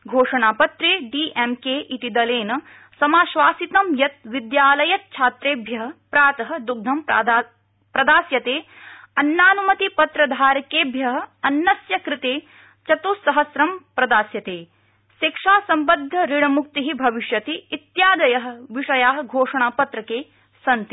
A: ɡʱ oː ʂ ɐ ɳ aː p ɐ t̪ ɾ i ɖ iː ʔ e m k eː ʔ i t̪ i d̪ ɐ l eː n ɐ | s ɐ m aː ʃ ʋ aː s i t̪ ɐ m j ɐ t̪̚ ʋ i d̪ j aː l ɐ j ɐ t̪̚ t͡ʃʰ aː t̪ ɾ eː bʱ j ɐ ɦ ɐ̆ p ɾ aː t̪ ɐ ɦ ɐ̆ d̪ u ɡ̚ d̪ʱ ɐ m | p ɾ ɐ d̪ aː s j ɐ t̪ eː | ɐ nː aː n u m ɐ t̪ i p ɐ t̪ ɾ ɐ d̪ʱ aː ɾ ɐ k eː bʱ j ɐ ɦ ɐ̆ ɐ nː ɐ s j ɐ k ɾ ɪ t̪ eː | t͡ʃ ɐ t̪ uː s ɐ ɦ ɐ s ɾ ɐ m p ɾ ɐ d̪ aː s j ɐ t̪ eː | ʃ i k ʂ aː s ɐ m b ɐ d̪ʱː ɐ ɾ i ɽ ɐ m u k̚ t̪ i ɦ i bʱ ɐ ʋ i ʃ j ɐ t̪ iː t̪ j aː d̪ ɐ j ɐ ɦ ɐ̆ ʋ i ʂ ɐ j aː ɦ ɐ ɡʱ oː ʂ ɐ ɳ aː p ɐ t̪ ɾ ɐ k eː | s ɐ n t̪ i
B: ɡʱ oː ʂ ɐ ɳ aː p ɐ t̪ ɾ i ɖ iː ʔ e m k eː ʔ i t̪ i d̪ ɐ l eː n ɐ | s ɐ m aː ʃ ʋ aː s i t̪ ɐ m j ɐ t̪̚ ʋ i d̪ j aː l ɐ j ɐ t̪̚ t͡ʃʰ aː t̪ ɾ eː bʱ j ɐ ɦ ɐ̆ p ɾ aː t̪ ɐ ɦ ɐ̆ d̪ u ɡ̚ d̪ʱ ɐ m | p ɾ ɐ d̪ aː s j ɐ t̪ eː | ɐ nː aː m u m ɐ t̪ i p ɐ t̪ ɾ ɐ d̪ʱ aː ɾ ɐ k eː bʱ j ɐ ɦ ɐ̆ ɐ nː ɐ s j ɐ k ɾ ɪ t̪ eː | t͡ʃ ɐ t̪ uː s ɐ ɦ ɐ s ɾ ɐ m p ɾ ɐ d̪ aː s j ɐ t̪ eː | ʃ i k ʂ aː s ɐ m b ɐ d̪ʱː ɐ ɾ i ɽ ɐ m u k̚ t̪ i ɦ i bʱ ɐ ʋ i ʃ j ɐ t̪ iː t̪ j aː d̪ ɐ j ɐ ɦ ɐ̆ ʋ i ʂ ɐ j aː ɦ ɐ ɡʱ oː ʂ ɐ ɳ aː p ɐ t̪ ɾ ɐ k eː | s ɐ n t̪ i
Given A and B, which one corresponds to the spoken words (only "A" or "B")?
A